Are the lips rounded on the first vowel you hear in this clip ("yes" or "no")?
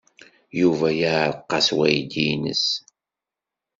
yes